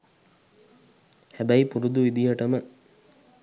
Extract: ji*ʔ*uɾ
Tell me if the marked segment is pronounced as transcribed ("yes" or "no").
no